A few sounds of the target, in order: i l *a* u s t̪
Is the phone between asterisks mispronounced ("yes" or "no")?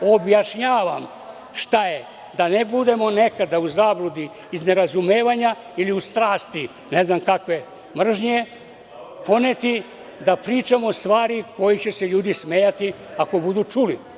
yes